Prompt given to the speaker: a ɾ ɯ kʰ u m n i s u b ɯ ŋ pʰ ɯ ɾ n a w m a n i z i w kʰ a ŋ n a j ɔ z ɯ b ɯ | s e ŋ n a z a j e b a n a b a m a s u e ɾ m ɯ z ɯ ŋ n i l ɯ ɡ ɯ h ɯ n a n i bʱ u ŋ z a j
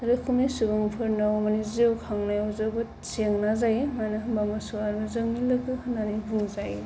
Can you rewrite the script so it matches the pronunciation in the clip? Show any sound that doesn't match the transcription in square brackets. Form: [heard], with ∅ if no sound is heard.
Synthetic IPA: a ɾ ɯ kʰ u m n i s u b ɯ ŋ pʰ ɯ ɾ n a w m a n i z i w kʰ a ŋ n a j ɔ z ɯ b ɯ | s e ŋ n a z a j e [m] a n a b a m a s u [a] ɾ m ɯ z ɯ ŋ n i l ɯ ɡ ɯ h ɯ n a n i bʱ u ŋ z a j